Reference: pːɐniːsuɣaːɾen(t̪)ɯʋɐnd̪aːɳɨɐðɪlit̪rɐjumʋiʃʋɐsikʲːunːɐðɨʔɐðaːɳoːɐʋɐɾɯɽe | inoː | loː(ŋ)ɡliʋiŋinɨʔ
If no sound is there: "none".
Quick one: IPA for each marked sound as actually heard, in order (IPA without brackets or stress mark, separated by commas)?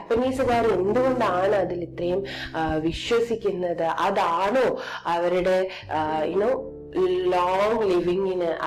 d̪, ŋ